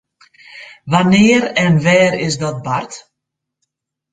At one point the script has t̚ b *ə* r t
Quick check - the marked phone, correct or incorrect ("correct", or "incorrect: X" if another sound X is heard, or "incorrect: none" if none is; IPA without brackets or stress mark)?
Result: incorrect: a